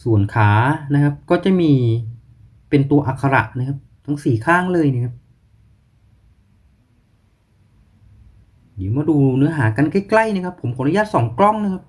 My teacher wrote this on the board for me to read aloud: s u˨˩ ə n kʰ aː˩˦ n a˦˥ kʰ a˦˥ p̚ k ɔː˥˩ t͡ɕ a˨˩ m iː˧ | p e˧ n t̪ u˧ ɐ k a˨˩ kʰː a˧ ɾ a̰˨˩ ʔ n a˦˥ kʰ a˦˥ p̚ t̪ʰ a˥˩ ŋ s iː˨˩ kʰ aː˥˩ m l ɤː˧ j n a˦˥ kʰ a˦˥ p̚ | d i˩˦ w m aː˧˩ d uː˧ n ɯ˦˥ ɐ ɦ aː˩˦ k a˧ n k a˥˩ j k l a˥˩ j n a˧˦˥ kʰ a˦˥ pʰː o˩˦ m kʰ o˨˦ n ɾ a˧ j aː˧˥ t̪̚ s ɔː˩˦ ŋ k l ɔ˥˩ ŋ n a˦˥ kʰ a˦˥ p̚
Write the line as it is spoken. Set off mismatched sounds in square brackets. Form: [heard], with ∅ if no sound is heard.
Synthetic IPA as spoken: s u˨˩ ə n kʰ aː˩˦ n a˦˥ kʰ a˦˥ p̚ k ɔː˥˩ t͡ɕ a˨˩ m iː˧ | p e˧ n t̪ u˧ ɐ [ʔ] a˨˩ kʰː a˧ ɾ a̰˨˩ ʔ n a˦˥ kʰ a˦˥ p̚ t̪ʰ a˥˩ ŋ s iː˨˩ kʰ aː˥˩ [ŋ] l ɤː˧ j n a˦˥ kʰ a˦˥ p̚ | d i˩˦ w m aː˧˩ d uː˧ n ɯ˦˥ ɐ ɦ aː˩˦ k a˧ n k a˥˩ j k l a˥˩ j n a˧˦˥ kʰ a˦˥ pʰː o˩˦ m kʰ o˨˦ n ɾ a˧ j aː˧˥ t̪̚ s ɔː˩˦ ŋ k l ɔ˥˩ ŋ n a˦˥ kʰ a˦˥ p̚